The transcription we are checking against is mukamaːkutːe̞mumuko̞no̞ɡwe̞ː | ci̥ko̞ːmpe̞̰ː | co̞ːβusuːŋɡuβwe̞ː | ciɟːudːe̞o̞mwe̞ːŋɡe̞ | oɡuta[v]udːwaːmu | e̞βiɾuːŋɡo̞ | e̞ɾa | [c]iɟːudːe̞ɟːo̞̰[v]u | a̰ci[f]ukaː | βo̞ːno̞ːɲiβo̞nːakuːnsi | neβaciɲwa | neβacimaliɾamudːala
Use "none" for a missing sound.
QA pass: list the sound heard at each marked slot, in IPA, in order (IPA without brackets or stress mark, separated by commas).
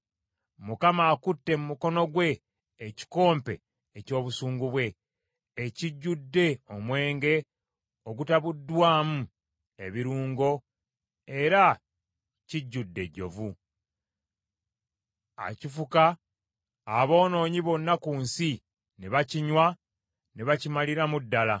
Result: β, c, v, f